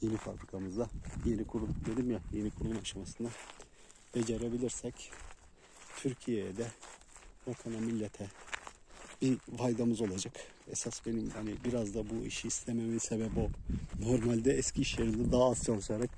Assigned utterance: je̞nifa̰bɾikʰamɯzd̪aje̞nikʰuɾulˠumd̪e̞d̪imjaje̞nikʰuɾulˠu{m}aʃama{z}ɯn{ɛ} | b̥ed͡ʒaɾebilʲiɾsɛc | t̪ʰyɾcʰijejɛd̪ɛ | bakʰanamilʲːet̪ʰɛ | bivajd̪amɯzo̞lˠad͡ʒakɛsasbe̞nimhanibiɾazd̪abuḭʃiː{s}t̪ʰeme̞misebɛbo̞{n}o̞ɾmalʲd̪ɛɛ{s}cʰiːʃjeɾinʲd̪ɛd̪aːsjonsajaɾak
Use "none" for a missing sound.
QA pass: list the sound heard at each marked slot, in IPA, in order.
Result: m, s, a, s, n, s

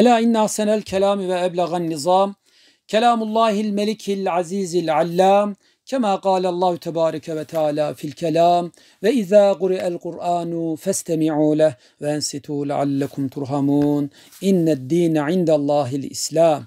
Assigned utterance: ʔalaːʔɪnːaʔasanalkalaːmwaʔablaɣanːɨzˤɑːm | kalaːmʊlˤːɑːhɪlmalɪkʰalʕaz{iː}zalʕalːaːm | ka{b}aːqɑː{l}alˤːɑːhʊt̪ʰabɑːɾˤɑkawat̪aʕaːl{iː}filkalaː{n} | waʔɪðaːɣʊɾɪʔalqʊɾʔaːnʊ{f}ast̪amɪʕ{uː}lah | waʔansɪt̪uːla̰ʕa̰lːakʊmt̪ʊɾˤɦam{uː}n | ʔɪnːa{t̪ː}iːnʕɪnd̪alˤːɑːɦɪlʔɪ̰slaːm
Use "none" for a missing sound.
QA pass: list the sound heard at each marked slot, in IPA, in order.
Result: iː, m, l, aː, m, f, uː, uː, d̪ː

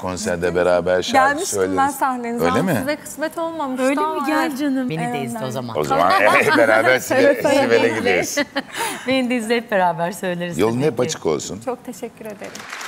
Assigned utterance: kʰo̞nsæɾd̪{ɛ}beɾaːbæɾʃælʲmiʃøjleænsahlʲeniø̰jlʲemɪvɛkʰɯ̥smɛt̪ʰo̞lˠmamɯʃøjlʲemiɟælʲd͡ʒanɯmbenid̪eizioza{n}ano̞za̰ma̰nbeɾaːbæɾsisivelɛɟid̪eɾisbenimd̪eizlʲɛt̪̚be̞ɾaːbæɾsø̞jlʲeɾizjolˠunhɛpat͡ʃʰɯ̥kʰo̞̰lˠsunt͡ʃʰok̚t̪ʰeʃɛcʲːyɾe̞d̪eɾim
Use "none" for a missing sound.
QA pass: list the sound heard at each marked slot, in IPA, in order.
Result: ɛ, m

